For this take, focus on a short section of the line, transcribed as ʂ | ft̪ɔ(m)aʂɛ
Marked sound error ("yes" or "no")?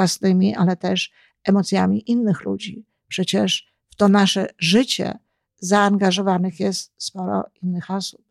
yes